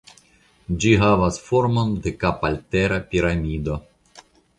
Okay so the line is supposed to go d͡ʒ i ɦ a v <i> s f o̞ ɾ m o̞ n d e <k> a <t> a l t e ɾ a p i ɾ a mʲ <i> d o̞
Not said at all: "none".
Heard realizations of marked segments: a, k, p, i

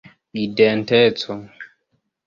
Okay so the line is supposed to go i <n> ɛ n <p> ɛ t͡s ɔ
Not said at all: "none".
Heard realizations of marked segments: d, t

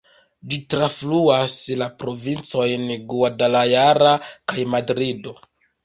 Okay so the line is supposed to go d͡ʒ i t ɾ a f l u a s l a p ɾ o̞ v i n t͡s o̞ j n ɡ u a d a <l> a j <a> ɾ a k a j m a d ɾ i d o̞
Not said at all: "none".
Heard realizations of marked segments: l, a

